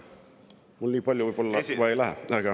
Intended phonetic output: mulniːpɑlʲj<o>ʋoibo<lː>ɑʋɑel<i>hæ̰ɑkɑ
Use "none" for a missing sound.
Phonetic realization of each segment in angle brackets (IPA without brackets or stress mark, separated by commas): o, lː, æ